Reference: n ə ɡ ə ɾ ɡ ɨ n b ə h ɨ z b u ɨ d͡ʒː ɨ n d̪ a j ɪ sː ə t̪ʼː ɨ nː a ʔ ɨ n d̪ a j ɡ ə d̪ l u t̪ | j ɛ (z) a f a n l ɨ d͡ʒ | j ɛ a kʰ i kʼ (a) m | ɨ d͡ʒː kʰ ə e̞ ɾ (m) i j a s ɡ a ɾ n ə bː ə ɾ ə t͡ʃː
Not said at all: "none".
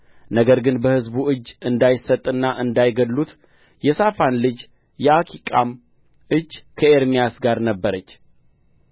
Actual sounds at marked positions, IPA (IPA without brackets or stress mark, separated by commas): s, a, m